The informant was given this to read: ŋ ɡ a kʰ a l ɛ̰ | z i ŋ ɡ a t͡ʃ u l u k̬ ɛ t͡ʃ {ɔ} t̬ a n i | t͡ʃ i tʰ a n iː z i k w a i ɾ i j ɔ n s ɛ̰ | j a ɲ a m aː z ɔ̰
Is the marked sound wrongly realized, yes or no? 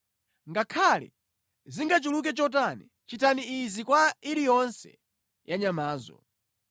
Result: no